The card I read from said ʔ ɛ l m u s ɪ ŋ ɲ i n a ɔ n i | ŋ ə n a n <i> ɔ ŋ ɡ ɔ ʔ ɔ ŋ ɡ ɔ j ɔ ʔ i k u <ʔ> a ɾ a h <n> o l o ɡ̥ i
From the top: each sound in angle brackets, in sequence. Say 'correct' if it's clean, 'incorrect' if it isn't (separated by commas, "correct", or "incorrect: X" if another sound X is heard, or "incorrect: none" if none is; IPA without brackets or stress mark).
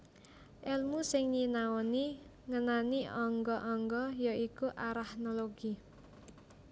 correct, correct, correct